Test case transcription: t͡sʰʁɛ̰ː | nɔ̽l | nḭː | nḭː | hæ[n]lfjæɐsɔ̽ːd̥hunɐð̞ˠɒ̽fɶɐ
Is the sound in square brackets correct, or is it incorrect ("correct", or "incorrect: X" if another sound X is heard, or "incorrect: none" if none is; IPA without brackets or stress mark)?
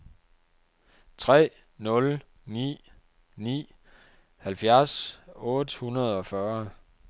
incorrect: none